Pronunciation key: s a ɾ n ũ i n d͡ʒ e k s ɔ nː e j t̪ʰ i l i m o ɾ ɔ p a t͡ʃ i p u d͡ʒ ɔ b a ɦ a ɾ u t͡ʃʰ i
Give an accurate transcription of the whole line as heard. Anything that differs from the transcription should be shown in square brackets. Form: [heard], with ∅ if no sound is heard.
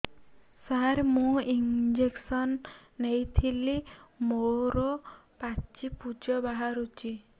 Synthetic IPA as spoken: s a ɾ [m] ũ i n d͡ʒ e k s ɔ nː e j t̪ʰ i l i m o ɾ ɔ p a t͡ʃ i p u d͡ʒ ɔ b a ɦ a ɾ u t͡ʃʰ i